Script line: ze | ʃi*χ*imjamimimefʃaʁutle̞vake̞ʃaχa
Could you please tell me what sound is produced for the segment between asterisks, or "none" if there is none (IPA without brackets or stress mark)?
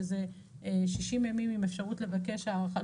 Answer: ʃ